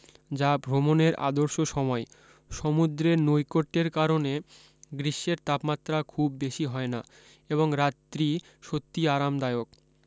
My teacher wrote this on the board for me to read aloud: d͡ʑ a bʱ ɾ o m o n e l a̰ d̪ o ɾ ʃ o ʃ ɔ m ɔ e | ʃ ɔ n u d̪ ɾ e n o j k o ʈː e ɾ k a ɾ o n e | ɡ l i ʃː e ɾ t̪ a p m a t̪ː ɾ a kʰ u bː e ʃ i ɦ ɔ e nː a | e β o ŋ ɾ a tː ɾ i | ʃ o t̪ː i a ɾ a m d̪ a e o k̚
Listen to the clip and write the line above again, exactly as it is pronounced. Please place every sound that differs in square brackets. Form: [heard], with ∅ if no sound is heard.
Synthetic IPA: d͡ʑ a bʱ ɾ o m o n e [ɾ] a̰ d̪ o ɾ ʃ o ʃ ɔ m ɔ e | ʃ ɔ [m] u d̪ ɾ e n o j k o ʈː e ɾ k a ɾ o n e | ɡ [ɾ] i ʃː e ɾ t̪ a p m a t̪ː ɾ a kʰ u bː e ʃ i ɦ ɔ e [n] a | e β o ŋ ɾ a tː ɾ i | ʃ o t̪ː i a ɾ a m d̪ a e o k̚